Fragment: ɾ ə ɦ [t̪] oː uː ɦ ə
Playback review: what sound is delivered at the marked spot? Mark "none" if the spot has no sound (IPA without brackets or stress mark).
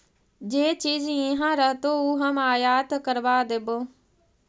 t̪